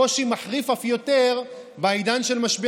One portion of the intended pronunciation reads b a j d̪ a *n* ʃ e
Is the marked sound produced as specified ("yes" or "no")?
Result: yes